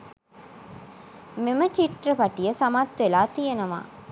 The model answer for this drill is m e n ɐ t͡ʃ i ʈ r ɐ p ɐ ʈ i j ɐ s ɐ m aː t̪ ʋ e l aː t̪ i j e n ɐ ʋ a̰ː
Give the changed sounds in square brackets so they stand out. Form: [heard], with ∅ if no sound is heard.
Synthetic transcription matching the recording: m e [m] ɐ t͡ʃ i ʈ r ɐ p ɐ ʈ i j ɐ s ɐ m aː t̪ ʋ e l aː t̪ i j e n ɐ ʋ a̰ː